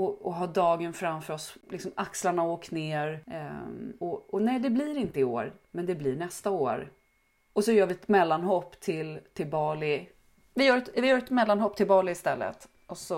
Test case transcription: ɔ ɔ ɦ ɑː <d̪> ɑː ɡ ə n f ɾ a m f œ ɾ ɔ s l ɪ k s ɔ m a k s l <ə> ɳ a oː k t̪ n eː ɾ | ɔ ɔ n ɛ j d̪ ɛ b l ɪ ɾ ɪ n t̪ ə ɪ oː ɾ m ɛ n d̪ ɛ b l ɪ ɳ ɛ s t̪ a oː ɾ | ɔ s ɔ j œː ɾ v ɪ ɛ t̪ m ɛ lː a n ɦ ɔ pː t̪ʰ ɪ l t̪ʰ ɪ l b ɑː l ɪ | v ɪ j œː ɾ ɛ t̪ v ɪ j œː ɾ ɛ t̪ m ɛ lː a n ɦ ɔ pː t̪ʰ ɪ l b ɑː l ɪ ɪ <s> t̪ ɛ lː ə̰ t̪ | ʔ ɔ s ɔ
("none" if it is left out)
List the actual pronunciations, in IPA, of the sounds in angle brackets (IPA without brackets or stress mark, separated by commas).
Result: d̪, a, s